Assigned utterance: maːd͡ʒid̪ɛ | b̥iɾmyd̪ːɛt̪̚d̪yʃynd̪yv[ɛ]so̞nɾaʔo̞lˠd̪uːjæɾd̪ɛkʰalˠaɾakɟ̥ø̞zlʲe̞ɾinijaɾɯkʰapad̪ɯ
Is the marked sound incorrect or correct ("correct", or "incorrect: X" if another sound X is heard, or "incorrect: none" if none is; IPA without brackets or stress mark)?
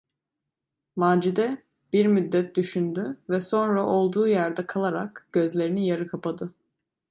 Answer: correct